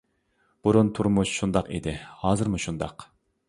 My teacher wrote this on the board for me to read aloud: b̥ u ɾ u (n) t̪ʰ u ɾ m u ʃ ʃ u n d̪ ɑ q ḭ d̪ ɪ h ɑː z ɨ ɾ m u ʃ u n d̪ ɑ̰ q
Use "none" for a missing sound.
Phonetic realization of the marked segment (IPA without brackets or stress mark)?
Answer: n